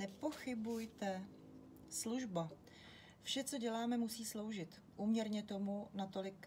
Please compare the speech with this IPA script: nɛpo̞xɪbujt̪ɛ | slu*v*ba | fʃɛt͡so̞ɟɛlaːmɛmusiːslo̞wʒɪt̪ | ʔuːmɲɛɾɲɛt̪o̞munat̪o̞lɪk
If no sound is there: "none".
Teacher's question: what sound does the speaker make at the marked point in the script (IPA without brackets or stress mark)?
ʒ